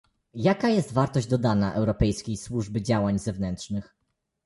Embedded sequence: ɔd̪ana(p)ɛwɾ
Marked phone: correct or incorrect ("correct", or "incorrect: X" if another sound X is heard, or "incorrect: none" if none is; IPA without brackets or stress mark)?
incorrect: ʔ